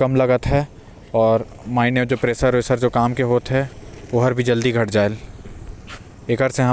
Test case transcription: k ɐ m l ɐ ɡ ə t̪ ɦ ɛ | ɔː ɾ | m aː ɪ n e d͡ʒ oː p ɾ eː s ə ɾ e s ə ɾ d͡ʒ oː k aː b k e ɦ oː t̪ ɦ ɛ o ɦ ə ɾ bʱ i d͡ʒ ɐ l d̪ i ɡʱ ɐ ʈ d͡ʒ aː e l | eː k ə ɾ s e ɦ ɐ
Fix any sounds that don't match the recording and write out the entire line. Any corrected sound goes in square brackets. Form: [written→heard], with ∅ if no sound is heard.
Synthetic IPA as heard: k ɐ m l ɐ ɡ ə t̪ ɦ ɛ | ɔː ɾ | m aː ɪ n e d͡ʒ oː p ɾ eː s ə ɾ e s ə ɾ d͡ʒ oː k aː [b→m] k e ɦ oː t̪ ɦ ɛ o ɦ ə ɾ bʱ i d͡ʒ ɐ l d̪ i ɡʱ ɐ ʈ d͡ʒ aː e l | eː k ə ɾ s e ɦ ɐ